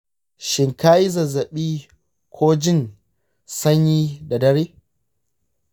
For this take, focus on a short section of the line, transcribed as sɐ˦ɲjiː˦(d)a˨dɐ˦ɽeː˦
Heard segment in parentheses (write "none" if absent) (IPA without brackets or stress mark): d